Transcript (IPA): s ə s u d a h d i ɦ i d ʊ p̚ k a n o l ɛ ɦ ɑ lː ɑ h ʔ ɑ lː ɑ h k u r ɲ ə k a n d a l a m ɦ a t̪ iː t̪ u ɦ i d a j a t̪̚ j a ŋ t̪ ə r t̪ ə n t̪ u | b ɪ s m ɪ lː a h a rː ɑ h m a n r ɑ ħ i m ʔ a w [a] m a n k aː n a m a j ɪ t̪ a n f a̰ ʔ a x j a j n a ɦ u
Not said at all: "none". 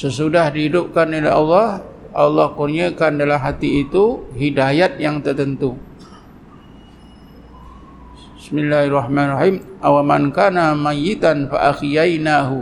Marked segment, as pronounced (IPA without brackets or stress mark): a